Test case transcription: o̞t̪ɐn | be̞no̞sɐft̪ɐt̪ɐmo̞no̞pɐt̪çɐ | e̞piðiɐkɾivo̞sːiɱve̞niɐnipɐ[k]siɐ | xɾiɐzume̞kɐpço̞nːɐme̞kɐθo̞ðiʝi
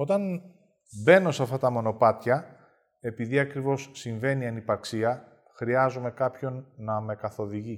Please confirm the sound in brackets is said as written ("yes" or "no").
yes